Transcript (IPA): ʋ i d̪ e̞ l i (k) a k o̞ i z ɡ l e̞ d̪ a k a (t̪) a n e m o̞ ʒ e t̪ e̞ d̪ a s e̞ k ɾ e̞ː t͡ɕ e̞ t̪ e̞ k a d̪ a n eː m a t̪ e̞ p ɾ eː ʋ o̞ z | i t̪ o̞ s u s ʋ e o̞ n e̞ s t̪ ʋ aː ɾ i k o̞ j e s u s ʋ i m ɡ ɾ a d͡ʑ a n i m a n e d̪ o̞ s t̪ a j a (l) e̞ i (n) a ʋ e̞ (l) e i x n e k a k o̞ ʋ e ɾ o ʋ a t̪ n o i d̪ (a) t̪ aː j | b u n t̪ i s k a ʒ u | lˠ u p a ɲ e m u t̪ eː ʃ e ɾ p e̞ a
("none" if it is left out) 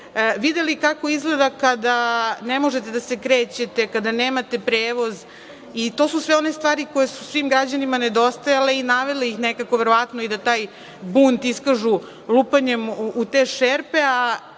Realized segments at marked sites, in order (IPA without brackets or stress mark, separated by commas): k, d̪, l, n, l, a